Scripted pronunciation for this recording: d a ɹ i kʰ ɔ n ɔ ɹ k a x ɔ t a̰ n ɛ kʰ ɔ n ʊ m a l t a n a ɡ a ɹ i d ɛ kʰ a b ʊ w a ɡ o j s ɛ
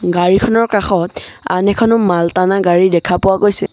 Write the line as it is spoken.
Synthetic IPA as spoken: ɡ a ɹ i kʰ ɔ n ɔ ɹ k a x ɔ t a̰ n ɛ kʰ ɔ n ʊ m a l t a n a ɡ a ɹ i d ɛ kʰ a p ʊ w a ɡ o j s ɛ